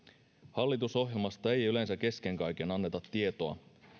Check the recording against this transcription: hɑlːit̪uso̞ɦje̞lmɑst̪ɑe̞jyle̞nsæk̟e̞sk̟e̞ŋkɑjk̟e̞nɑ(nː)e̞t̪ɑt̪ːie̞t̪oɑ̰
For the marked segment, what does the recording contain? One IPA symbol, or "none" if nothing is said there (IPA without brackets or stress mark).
nː